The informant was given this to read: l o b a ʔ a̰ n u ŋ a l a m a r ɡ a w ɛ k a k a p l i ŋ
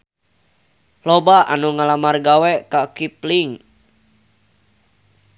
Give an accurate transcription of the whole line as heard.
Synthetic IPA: l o b a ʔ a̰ n u ŋ a l a m a r ɡ a w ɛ k a k i p l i ŋ

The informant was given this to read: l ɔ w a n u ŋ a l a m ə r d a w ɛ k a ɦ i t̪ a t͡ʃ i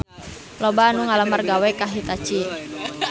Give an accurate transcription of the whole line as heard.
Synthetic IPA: l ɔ b a n u ŋ a l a m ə r ɡ a w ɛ k a ɦ i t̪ a t͡ʃ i

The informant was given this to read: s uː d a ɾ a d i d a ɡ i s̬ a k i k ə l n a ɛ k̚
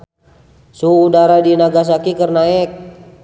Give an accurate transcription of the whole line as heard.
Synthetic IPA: s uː d a ɾ a d i n a ɡ a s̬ a k i k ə r n a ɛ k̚

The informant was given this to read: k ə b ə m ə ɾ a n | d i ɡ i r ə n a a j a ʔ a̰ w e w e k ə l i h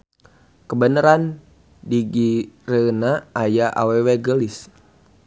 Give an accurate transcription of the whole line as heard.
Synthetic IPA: k ə b ə n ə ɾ a n | d i ɡ i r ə n a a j a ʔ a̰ w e w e ɡ ə l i s

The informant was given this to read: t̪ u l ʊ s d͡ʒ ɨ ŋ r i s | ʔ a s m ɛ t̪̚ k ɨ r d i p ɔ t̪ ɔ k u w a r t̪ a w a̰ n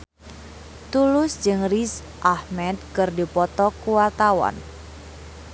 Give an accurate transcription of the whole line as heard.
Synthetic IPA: t̪ u l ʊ s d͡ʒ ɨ ŋ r i s | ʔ a h m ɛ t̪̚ k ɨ r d i p ɔ t̪ ɔ k u w a r t̪ a w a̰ n

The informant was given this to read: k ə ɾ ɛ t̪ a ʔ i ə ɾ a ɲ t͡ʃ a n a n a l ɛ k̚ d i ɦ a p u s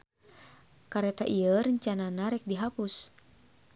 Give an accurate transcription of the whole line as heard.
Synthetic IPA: k a ɾ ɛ t̪ a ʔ i ə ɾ ə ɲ t͡ʃ a n a n a ɾ ɛ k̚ d i ɦ a p u s

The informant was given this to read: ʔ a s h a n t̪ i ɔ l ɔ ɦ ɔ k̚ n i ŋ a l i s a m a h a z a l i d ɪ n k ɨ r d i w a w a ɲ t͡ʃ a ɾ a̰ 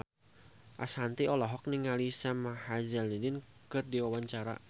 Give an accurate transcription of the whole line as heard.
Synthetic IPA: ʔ a s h a n t̪ i ɔ l ɔ ɦ ɔ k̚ n i ŋ a l i s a m a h a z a l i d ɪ n k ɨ r d i w a w a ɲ t͡ʃ a ɾ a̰

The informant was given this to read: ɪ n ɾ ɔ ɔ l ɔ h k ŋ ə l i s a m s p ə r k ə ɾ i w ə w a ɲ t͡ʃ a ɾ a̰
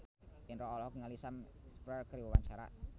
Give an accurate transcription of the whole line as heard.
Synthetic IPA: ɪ n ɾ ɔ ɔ l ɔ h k ŋ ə l i s a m s p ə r k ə ɾ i w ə w a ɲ t͡ʃ a ɾ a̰

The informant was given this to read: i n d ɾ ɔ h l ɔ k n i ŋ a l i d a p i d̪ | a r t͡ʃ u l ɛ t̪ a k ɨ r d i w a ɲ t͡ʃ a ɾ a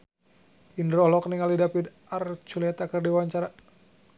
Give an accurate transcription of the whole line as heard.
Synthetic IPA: i n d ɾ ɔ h l ɔ k n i ŋ a l i d a p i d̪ | a r t͡ʃ u l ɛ t̪ a k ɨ r d i w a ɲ t͡ʃ a ɾ a

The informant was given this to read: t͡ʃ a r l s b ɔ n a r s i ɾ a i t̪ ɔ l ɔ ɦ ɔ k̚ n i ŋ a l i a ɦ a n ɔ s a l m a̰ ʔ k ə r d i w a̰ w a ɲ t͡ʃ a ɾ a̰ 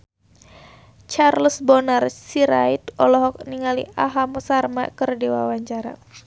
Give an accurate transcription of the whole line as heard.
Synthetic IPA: t͡ʃ a r l s b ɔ n a r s i ɾ a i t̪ ɔ l ɔ ɦ ɔ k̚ n i ŋ a l i a ɦ a m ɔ s a r m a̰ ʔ k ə r d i w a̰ w a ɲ t͡ʃ a ɾ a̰

